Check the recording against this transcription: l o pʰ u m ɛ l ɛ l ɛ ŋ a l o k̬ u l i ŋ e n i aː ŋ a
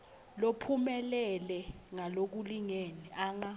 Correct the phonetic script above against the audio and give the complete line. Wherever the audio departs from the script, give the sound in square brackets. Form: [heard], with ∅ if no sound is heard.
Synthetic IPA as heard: l o pʰ u m ɛ l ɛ l ɛ ŋ a l o k̬ u l i ŋ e n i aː ŋ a